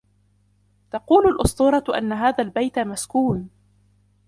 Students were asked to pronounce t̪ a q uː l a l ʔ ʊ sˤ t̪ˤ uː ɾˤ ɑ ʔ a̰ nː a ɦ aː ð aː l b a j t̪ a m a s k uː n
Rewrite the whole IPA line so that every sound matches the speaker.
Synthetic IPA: t̪ ɑ q uː l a l ʔ ʊ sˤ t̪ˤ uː ɾˤ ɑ ʔ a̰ nː a ɦ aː ð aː l b a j t̪ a m a s k uː n